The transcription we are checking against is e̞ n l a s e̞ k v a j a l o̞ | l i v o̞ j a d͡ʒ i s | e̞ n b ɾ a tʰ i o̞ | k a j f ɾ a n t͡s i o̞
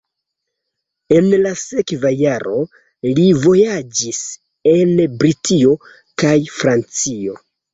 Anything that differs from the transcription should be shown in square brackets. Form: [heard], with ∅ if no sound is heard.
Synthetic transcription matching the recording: e̞ n l a s e̞ k v a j a [ɾ] o̞ | l i v o̞ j a d͡ʒ i s | e̞ n b ɾ [i] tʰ i o̞ | k a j f ɾ a n t͡s i o̞